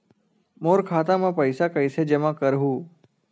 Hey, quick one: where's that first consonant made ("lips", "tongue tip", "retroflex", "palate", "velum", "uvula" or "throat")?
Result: lips